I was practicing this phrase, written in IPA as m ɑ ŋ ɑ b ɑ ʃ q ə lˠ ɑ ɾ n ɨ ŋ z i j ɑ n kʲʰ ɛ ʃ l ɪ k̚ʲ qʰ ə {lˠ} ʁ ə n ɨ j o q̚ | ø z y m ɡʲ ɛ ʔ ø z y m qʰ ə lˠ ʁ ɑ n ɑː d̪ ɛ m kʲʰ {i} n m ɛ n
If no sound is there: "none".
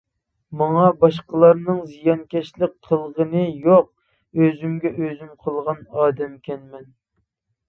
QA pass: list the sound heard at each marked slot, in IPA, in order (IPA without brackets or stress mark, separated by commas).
lˠ, ɛ